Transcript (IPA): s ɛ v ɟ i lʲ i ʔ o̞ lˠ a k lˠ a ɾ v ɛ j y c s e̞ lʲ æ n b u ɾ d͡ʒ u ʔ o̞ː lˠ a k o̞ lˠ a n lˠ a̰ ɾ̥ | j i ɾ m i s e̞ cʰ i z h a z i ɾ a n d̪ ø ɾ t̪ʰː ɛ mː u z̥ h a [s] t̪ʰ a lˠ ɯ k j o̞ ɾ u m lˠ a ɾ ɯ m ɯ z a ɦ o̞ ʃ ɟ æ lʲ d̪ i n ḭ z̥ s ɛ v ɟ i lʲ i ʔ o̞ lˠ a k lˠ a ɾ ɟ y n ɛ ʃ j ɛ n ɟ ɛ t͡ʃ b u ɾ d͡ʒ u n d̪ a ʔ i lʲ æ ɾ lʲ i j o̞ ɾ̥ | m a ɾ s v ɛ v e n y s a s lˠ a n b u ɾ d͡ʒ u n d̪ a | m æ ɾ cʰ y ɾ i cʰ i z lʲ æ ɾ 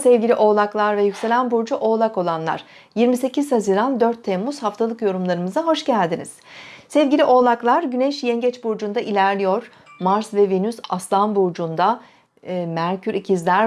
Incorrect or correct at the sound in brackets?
incorrect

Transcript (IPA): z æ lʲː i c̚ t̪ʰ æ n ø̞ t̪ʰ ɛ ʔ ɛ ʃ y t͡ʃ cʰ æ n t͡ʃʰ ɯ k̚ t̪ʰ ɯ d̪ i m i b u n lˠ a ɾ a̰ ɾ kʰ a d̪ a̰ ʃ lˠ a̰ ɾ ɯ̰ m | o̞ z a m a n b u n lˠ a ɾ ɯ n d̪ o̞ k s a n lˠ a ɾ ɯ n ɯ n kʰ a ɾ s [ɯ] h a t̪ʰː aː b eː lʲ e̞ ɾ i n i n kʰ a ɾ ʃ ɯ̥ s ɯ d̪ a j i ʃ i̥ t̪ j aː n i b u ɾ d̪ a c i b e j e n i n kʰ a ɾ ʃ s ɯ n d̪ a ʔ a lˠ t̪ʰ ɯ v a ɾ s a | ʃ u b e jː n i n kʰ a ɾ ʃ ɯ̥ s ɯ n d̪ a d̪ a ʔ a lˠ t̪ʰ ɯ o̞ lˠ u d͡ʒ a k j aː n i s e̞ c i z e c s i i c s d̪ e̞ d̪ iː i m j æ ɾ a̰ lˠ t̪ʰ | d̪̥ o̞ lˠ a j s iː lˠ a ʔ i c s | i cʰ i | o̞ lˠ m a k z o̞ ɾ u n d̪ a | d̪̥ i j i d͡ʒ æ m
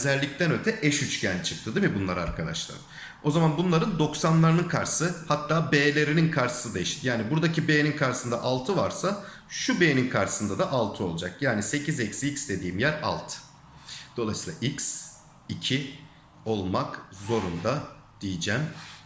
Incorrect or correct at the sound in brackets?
correct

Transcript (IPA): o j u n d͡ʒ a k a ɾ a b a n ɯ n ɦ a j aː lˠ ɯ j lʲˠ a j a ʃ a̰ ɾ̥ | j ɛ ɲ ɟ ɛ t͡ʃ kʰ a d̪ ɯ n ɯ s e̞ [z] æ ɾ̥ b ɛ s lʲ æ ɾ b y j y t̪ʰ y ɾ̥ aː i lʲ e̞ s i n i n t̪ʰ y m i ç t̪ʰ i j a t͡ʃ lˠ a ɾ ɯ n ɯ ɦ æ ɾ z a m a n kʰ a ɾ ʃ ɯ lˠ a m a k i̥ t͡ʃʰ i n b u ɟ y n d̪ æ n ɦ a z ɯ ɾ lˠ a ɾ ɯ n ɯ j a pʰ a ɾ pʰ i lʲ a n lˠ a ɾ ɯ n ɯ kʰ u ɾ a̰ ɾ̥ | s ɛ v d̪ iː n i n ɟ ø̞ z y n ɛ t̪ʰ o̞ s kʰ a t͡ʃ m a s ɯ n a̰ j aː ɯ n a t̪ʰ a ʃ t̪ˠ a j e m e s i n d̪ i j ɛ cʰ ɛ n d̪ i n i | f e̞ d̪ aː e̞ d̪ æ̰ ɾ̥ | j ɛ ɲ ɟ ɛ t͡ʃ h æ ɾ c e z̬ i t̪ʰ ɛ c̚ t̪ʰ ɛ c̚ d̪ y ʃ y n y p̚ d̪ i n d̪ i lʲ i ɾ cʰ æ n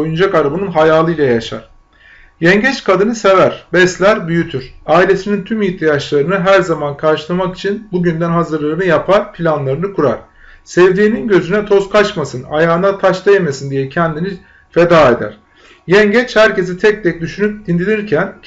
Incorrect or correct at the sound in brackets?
incorrect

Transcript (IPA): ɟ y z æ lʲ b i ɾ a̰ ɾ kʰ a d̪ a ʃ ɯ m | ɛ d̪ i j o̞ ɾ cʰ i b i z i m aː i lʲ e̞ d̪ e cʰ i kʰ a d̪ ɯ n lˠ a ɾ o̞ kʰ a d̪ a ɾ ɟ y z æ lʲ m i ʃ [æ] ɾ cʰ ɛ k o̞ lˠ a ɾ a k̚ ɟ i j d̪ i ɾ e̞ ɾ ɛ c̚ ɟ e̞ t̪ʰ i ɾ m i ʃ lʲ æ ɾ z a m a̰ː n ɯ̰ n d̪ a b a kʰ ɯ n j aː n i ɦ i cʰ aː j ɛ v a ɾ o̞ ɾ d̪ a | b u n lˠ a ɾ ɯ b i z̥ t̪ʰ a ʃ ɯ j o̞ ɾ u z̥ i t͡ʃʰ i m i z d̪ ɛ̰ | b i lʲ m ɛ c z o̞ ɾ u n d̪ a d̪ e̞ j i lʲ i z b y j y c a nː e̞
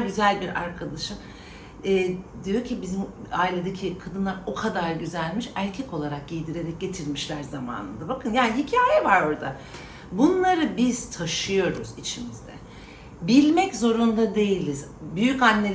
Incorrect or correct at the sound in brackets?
correct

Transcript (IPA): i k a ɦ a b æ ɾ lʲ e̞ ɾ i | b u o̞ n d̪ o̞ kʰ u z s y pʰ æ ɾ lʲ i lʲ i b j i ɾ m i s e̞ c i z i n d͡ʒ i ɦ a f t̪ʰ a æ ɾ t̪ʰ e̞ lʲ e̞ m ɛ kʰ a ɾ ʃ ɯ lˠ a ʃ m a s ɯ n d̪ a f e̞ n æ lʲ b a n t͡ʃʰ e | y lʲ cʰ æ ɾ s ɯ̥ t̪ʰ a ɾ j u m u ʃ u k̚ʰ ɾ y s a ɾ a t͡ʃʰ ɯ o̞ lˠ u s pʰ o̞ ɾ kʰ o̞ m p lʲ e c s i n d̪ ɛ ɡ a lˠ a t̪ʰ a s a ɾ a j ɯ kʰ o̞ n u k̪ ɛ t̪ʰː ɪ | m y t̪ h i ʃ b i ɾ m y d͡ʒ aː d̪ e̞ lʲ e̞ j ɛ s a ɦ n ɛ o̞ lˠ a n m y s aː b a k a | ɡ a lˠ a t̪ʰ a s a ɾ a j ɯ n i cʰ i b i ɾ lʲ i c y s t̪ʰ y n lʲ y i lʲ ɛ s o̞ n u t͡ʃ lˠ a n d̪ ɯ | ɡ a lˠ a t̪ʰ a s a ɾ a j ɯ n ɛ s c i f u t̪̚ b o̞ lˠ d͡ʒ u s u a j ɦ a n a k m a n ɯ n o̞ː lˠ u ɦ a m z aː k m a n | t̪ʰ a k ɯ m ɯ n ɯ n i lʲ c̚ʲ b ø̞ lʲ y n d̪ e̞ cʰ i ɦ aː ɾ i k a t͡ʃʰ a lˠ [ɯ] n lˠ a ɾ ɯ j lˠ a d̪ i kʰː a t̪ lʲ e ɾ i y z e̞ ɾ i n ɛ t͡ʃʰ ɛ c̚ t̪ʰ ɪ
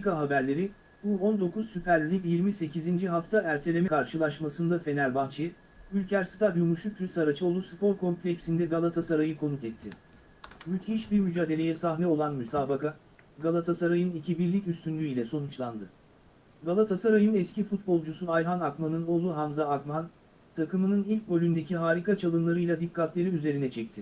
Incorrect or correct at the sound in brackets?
correct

